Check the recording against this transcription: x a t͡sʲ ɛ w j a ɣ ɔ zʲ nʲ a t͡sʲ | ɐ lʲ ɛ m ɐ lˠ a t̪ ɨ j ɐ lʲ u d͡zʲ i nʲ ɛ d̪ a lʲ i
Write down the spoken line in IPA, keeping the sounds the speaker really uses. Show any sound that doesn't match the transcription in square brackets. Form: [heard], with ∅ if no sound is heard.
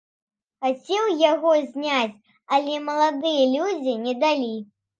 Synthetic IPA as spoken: x a t͡sʲ ɛ w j a ɣ ɔ zʲ nʲ a t͡sʲ | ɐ lʲ ɛ m ɐ lˠ a [d̪] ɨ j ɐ lʲ u d͡zʲ i nʲ ɛ d̪ a lʲ i